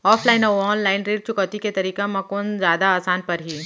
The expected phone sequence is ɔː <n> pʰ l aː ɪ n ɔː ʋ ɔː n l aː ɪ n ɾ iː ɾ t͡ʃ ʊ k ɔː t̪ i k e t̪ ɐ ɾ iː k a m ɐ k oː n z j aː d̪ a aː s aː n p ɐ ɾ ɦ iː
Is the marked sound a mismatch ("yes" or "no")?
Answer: yes